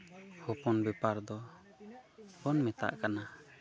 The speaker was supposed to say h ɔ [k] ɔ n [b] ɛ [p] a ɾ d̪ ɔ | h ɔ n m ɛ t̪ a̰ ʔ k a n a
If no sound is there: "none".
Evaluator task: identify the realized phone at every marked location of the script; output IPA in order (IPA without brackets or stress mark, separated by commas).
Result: p, b, p